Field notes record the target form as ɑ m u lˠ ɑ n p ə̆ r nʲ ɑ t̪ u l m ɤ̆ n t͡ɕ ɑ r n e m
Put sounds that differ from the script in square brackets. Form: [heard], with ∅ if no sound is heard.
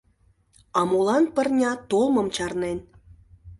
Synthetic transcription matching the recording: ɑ m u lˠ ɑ n p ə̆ r nʲ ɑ t̪ [o] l m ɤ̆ [m] t͡ɕ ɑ r n e [n]